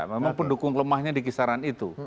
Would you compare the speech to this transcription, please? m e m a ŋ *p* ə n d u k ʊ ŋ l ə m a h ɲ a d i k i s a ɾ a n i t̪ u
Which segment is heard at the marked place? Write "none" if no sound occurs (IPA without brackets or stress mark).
p